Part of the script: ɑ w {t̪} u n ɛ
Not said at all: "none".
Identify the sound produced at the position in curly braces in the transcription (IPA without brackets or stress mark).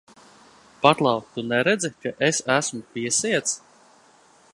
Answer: t̪